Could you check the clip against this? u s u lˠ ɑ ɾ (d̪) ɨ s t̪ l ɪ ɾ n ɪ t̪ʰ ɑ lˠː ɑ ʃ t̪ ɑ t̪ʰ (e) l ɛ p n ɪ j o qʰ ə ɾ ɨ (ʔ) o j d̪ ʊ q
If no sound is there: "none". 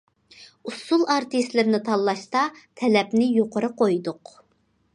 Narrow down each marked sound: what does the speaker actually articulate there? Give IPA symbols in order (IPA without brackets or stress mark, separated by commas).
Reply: t̪, ɛ, q